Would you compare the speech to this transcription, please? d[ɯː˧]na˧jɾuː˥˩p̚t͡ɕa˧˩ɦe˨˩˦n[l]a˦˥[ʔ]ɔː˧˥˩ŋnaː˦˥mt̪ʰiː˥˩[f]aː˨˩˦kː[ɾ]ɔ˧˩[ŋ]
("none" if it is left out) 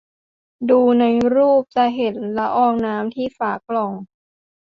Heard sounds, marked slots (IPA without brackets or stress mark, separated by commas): uː˧, l, ʔ, f, l, ŋ